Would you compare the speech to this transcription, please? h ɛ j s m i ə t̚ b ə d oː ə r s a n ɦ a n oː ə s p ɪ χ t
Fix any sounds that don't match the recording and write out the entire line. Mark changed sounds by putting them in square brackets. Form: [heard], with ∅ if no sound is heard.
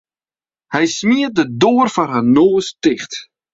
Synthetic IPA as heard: h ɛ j s m i ə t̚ [d] ə d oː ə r [f] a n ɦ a n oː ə s [t] ɪ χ t

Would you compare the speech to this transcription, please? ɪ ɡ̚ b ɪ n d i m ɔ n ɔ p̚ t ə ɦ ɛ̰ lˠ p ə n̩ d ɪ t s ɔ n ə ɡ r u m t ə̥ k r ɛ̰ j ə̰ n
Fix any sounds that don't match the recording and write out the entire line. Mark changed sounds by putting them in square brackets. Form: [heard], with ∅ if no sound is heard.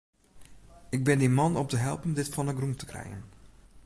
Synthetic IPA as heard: ɪ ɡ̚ b ɪ n d i m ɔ n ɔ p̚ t ə ɦ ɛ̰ lˠ p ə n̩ d ɪ t [f] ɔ n ə ɡ r u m t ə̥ k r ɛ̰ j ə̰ n

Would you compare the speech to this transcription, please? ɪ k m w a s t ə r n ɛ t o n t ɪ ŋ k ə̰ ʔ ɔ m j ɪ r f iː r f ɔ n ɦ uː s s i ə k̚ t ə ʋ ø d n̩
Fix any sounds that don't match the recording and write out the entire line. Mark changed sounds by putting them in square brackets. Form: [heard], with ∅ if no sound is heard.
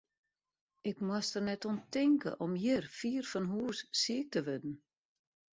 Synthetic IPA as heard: ɪ k m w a s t ə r n ɛ t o n t ɪ ŋ k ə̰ ʔ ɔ m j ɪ r f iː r f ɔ n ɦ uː s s i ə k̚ t ə ʋ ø d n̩

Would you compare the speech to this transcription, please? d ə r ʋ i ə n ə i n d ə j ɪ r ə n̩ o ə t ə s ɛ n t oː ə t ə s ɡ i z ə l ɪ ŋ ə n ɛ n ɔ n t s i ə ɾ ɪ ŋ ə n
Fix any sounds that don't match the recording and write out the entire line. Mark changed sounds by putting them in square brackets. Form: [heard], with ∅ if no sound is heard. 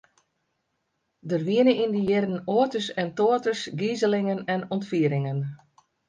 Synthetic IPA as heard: d ə r ʋ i ə n ə i n d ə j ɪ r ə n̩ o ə t ə s ɛ n t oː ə t ə s ɡ i z ə l ɪ ŋ ə n ɛ n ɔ n t [f] i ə ɾ ɪ ŋ ə n

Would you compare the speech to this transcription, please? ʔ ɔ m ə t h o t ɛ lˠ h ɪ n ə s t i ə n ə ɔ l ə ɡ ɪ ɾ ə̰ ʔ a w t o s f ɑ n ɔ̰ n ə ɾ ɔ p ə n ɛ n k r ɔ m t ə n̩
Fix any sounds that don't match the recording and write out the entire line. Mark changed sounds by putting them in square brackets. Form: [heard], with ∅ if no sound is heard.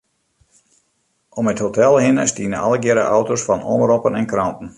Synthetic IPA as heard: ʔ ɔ m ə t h o t ɛ lˠ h ɪ n ə s t i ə n ə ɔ l ə ɡ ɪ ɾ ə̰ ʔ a w t o s f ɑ n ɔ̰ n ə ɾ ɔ p ə n ɛ n k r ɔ [n] t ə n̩

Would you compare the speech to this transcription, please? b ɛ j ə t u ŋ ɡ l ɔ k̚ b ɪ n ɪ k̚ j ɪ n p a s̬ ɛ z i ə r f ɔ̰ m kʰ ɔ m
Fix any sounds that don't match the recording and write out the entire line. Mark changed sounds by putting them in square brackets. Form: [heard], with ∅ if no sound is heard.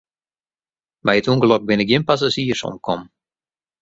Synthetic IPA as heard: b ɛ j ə t u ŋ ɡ l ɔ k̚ b ɪ n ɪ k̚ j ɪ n p a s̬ [a] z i ə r [s] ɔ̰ m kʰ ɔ m

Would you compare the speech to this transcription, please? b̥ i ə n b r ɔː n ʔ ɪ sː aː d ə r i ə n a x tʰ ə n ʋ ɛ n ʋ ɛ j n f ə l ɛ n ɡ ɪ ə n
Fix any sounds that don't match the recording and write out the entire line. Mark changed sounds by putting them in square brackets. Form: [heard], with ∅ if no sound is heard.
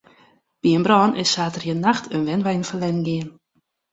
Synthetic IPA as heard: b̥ i ə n b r ɔː n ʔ ɪ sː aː [t] ə r [j] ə n a x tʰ ə n ʋ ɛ n ʋ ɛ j n f ə l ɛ n ɡ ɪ ə n

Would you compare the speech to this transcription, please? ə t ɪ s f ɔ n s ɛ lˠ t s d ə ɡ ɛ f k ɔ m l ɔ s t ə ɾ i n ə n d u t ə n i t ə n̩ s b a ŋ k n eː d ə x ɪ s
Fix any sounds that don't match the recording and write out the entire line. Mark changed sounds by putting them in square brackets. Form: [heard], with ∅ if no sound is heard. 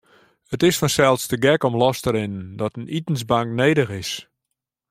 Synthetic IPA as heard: ə t ɪ s f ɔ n s ɛ lˠ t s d ə ɡ ɛ [∅] k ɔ m l ɔ s t ə ɾ [ɪ] n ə n d [ɔ] t ə n i t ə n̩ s b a ŋ k n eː d ə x ɪ s

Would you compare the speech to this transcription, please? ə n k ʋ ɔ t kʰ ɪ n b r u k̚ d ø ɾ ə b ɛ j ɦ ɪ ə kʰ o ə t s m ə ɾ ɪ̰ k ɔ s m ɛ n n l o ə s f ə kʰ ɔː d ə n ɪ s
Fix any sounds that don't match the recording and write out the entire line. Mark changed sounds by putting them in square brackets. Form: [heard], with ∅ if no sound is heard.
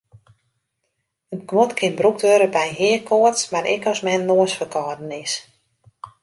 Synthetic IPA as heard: ə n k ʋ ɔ t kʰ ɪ n b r u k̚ d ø ɾ ə b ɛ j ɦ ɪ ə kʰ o ə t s m [a] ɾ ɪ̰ k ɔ s m ɛ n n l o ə s f ə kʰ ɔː d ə n ɪ s

